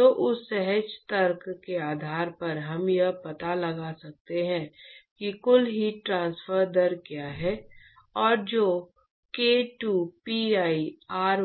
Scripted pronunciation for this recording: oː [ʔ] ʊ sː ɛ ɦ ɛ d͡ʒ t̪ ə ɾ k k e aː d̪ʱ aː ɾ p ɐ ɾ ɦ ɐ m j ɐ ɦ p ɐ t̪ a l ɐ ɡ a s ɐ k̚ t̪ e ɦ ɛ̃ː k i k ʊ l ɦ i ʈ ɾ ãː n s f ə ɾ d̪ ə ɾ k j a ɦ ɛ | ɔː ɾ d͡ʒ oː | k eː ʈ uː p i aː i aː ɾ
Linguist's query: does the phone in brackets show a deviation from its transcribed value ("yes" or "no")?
no